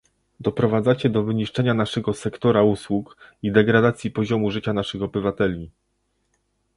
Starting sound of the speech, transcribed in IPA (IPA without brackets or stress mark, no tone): d̪